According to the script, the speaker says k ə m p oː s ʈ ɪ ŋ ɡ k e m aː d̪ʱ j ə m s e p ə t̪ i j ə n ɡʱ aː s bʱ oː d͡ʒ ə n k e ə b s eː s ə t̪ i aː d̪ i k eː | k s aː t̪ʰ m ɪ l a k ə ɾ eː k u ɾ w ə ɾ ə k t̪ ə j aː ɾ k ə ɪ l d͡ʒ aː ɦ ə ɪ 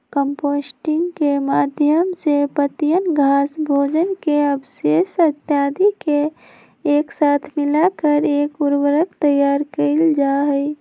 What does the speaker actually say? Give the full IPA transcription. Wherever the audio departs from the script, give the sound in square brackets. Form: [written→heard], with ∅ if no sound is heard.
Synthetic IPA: k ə m p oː s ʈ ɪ ŋ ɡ k e m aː d̪ʱ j ə m s e p ə t̪ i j ə n ɡʱ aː s bʱ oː d͡ʒ ə n k e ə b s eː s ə t̪ [i→j] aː d̪ i k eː | k s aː t̪ʰ m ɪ l a k ə ɾ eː k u ɾ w ə ɾ ə k t̪ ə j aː ɾ k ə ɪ l d͡ʒ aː ɦ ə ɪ